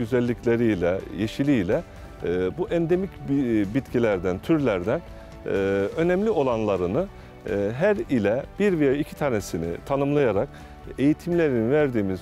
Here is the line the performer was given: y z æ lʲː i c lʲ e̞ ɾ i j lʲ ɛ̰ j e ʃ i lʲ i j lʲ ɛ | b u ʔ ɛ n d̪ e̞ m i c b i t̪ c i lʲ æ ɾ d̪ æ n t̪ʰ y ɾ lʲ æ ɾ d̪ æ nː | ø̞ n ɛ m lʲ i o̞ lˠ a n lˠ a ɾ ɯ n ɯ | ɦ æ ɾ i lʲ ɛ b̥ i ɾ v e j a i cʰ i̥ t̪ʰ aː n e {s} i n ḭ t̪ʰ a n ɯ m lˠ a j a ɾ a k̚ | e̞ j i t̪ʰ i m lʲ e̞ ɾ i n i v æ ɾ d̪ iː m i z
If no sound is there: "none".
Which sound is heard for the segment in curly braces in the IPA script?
s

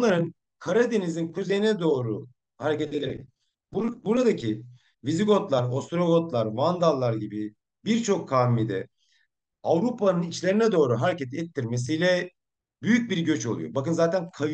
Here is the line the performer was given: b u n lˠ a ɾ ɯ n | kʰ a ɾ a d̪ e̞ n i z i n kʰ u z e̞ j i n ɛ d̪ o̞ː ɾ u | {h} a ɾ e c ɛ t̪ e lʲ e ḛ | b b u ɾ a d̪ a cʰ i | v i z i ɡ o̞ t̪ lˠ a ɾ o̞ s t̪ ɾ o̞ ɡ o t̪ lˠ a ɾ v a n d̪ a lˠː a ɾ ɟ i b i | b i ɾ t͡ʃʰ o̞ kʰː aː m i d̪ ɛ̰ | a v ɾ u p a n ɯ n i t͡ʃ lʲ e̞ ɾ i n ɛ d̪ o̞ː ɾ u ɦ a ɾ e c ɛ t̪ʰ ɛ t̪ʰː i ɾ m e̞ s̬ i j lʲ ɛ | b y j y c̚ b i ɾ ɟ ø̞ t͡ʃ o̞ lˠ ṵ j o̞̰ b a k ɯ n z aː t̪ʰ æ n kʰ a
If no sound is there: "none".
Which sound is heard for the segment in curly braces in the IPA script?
h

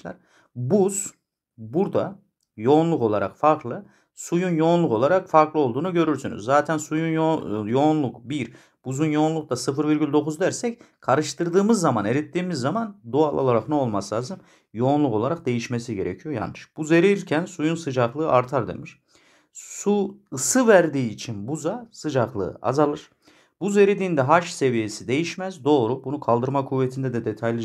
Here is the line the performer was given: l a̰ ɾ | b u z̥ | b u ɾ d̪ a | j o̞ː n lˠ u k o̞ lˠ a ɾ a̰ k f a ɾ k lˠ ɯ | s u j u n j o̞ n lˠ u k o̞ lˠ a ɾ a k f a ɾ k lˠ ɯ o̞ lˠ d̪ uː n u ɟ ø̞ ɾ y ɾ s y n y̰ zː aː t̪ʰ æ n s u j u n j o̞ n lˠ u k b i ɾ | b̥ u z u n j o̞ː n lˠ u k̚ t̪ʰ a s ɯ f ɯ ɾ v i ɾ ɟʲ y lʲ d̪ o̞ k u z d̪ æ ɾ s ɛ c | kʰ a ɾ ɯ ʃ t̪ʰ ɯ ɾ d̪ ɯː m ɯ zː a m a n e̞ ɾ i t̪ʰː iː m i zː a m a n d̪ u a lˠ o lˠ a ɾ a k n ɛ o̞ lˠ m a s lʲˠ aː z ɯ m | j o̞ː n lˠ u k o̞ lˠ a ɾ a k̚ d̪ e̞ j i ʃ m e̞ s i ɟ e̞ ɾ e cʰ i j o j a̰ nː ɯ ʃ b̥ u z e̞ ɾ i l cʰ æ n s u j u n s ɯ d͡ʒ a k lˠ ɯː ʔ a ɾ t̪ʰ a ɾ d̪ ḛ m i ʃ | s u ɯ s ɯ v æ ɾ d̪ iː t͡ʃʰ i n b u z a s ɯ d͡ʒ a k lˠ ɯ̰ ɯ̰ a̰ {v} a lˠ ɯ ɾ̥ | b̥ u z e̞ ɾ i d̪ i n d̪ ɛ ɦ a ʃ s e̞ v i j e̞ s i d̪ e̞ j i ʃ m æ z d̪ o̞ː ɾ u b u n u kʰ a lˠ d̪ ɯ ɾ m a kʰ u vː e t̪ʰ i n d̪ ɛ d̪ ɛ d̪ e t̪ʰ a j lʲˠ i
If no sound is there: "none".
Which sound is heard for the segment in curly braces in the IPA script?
z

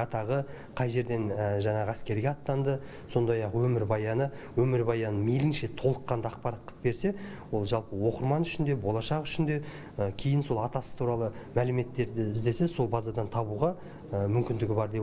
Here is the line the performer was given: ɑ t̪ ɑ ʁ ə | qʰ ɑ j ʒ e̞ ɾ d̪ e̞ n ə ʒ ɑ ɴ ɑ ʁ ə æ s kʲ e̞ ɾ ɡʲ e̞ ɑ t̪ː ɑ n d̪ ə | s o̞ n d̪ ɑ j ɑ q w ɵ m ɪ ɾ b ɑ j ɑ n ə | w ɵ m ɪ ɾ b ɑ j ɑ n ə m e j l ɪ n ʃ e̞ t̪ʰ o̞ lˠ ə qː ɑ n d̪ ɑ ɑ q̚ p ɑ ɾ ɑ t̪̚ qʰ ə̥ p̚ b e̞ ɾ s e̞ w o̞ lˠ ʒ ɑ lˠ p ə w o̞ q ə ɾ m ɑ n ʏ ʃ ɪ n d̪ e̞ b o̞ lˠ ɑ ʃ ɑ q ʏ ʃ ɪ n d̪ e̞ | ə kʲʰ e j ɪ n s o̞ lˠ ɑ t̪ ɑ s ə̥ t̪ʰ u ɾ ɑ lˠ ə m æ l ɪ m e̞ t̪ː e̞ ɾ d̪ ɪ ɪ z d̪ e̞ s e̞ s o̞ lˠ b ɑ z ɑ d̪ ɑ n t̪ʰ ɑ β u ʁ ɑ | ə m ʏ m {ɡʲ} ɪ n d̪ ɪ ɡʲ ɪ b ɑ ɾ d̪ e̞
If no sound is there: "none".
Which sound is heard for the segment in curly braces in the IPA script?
kʲ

